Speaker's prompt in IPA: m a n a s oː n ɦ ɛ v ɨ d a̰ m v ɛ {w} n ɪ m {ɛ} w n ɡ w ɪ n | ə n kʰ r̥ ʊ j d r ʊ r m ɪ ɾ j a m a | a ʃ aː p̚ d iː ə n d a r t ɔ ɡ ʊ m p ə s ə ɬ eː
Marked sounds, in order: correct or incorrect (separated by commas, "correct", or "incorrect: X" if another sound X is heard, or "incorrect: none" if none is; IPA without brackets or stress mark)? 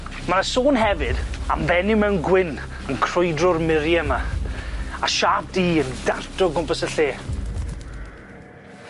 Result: incorrect: none, correct